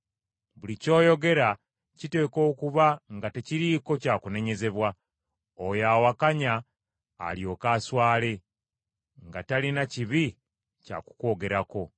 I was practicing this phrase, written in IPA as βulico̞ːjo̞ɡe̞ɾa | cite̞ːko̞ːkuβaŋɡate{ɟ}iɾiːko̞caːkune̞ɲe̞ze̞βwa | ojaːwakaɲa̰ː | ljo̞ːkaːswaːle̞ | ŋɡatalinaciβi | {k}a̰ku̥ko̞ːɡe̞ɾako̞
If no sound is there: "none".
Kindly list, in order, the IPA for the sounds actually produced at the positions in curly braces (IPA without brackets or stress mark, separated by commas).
c, c